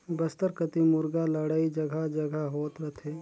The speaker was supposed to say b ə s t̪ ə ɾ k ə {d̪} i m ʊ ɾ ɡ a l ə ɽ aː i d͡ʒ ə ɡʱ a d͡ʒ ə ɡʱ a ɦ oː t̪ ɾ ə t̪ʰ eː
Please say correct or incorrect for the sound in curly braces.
incorrect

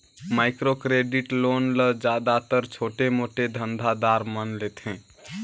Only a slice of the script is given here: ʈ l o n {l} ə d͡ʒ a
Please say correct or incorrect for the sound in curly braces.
correct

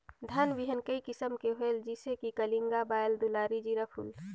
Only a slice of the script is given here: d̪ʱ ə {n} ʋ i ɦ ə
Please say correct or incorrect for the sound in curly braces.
correct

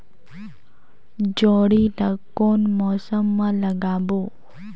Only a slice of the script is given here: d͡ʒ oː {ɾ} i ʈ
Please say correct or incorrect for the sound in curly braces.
incorrect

